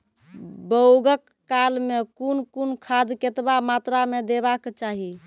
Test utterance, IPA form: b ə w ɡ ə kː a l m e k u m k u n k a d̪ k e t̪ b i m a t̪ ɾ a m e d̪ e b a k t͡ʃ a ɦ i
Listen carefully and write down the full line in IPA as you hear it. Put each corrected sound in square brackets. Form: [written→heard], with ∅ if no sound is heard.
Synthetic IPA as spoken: b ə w ɡ ə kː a l m e k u [m→n] k u n [k→kʰ] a d̪ k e t̪ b [i→a] m a t̪ ɾ a m e d̪ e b a k t͡ʃ a ɦ i